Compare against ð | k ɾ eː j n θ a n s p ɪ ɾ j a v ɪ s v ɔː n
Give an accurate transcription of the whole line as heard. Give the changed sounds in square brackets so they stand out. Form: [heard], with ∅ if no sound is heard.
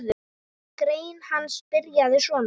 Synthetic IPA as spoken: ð | k ɾ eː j n [h] a n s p ɪ ɾ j a [ð] ɪ s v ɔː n

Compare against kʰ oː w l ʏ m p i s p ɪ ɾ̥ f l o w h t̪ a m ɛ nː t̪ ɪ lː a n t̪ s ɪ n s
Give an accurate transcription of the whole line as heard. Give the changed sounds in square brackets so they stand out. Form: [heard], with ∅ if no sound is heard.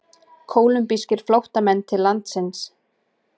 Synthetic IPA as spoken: kʰ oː w l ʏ m p i s [c] ɪ ɾ̥ f l o w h t̪ a m ɛ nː [t̪ʰ] ɪ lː a n t̪ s ɪ n s

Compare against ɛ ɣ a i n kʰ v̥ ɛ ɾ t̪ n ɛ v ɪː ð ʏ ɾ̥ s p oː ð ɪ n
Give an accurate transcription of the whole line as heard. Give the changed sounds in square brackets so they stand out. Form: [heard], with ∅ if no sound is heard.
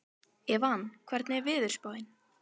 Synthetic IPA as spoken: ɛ [v] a [a] n kʰ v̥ ɛ ɾ t̪ n ɛ v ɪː ð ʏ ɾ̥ s p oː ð ɪ n

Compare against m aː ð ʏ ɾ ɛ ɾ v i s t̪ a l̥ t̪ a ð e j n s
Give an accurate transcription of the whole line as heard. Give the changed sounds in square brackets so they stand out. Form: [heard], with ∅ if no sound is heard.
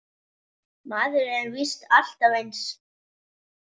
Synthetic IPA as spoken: m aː ð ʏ ɾ ɛ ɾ v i s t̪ a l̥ t̪ a [v] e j n s

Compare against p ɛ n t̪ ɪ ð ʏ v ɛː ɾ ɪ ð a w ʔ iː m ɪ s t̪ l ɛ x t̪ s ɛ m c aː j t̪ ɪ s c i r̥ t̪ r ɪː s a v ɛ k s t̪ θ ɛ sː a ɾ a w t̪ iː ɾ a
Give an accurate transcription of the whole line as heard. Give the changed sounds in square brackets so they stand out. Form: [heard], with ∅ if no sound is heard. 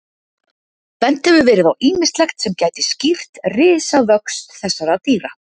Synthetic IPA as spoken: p ɛ n t̪ ɪ [v] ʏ v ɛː ɾ ɪ ð a w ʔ iː m ɪ s t̪ l ɛ x t̪ s ɛ m c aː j t̪ ɪ s c i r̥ t̪ r ɪː s a v [œ] k s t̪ θ ɛ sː a ɾ a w t̪ iː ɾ a

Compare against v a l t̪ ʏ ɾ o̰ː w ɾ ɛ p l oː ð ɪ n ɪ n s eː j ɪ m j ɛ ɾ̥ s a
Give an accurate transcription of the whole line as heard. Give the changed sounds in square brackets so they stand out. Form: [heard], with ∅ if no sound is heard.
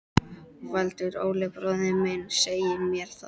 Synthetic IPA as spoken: v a l t̪ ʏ ɾ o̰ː w [l] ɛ p [ɾ] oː ð ɪ [m] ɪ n s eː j ɪ m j ɛ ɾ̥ [θ] a

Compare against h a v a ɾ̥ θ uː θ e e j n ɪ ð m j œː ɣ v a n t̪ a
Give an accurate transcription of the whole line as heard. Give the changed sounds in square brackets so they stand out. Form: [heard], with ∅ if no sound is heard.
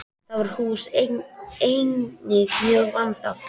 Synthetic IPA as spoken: [θ] a v a ɾ̥ [h] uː [s] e e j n ɪ [ɣ] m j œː ɣ v a n t̪ a

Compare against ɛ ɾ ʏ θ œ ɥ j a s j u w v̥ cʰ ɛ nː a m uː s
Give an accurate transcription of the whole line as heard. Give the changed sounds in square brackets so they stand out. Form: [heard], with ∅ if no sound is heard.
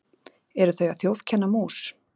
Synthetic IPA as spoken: ɛ ɾ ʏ θ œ ɥ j a [θ] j [o] w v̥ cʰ ɛ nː a m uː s

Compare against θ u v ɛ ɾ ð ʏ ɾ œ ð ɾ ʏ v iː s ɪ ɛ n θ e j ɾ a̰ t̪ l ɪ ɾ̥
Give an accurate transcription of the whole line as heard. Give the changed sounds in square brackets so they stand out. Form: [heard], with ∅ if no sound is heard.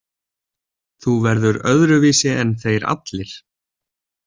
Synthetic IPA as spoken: θ u v ɛ ɾ ð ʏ ɾ œ ð ɾ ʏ v iː s ɪ ɛ n θ e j ɾ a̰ t̪ l ɪ ɾ̥

